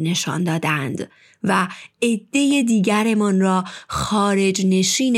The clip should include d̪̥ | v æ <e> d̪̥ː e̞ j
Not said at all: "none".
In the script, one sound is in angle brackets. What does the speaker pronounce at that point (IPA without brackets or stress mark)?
e